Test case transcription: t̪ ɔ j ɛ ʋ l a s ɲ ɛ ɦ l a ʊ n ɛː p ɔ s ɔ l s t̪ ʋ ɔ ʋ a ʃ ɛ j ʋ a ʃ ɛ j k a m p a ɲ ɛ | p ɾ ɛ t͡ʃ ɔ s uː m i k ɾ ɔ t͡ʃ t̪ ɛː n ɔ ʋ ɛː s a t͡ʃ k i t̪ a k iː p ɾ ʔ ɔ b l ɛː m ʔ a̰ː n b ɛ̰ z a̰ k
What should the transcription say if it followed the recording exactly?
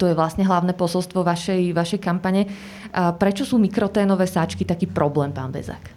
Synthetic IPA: t̪ ɔ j ɛ ʋ l a s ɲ ɛ ɦ l a ʊ n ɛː p ɔ s ɔ l s t̪ ʋ ɔ ʋ a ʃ ɛ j ʋ a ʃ ɛ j k a m p a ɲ ɛ | p ɾ ɛ t͡ʃ ɔ s uː m i k ɾ ɔ t̪ ɛː n ɔ ʋ ɛː s a t͡ʃ k i t̪ a k iː p ɾ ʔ ɔ b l ɛː m p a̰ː n b ɛ̰ z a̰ k